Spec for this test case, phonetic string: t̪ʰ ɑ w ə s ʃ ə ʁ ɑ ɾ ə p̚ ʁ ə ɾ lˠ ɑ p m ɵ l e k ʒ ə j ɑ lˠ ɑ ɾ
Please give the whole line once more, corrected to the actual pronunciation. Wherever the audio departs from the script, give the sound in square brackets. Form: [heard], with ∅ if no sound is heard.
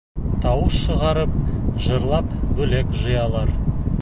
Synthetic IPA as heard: t̪ʰ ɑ w ə s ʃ ə ʁ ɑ ɾ ə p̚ [ʒ] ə ɾ lˠ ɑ p [b] ɵ l e k ʒ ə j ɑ lˠ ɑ ɾ

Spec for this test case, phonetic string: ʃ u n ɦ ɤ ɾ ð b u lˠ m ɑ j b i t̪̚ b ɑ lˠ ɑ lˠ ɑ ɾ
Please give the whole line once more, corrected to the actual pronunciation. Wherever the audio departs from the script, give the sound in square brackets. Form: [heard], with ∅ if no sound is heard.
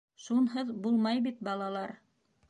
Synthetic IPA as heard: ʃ u n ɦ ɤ [∅] ð b u lˠ m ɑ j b i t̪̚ b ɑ lˠ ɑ lˠ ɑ ɾ

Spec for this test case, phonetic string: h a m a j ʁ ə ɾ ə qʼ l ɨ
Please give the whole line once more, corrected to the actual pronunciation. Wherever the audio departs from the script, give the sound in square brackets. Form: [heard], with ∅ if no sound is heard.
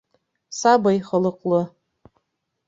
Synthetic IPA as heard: [s] a [b] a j [χ] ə [l] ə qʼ l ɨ

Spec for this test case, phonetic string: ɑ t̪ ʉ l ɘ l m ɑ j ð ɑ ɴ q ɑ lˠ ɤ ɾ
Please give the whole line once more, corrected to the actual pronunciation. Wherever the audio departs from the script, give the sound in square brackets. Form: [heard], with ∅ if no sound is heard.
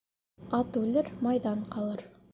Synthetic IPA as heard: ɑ t̪ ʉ l ɘ [ɾ] m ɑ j ð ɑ ɴ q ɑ lˠ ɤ ɾ

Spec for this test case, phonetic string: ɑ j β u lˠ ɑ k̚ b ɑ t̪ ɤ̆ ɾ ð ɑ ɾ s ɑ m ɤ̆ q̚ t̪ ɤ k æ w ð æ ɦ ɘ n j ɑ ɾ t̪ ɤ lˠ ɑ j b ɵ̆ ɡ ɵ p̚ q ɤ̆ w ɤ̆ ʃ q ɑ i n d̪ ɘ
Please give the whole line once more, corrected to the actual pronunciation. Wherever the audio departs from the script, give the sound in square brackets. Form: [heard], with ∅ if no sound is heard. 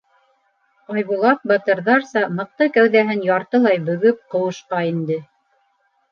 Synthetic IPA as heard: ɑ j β u lˠ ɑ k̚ b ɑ t̪ ɤ̆ ɾ ð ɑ ɾ s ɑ m ɤ̆ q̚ t̪ ɤ k æ w ð æ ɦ ɘ n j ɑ ɾ t̪ ɤ lˠ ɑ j b ɵ̆ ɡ ɵ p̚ q ɤ̆ w ɤ̆ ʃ q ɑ i n d̪ ɘ

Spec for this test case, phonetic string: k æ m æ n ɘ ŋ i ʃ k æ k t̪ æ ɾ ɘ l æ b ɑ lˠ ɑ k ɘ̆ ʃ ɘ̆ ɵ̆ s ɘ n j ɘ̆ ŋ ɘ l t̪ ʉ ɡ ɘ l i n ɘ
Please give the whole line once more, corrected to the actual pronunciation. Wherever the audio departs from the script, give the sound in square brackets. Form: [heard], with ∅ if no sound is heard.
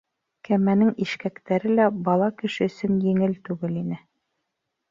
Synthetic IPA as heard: k æ m æ n ɘ ŋ i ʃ k æ k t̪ æ ɾ ɘ l æ b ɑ lˠ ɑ k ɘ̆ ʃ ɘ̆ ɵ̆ s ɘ n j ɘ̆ ŋ ɘ l t̪ ʉ ɡ ɘ l i n ɘ

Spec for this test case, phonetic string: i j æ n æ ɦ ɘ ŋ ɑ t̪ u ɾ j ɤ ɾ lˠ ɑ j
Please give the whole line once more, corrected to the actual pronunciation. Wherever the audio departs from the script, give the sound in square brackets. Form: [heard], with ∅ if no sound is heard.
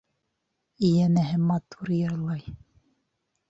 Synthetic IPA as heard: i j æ n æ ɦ ɘ [m] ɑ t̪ u ɾ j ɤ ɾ lˠ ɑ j

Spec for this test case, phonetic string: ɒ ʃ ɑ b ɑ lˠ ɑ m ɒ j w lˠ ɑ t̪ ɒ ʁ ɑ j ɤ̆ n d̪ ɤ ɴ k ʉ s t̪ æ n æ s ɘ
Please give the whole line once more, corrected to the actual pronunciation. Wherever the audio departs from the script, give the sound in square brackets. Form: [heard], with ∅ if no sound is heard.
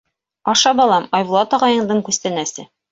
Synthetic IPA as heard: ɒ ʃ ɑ b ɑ lˠ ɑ m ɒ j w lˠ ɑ t̪ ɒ ʁ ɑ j ɤ̆ [ɴ] d̪ ɤ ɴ k ʉ s t̪ æ n æ s ɘ

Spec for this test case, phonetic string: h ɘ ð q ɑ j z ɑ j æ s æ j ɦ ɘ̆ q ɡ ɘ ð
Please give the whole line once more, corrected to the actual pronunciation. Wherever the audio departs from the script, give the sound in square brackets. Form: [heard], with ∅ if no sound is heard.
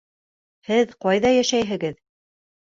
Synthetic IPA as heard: h ɘ ð q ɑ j [ð] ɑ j æ [ʃ] æ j ɦ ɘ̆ [∅] ɡ ɘ ð

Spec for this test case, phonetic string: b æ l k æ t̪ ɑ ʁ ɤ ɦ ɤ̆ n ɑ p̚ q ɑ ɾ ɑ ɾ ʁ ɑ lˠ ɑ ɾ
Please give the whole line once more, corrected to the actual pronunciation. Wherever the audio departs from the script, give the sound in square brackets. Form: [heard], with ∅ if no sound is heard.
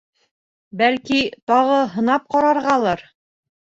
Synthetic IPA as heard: b æ l k [i] t̪ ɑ ʁ ɤ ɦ ɤ̆ n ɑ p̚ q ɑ ɾ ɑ ɾ ʁ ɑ lˠ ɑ ɾ

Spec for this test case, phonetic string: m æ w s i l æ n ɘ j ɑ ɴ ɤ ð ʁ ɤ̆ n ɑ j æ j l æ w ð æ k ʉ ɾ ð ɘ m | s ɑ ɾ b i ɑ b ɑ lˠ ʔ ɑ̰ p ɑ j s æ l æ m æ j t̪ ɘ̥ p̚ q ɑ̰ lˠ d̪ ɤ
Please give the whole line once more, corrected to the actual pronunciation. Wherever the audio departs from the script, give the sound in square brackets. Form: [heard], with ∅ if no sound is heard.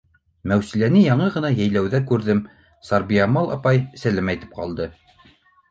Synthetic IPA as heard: m æ w s i l æ n ɘ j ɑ ɴ ɤ [∅] ʁ ɤ̆ n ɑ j æ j l æ w ð æ k ʉ ɾ ð ɘ m | s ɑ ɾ b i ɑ [m] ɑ lˠ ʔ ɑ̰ p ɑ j s æ l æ m æ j t̪ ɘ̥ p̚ q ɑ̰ lˠ d̪ ɤ

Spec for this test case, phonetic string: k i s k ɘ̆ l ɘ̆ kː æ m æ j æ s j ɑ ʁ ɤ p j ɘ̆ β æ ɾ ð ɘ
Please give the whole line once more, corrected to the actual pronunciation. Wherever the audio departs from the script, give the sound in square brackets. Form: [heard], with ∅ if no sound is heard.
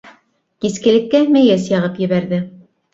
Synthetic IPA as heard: k i s k ɘ̆ l ɘ̆ kː æ m æ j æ s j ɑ ʁ ɤ p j ɘ̆ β æ ɾ ð ɘ

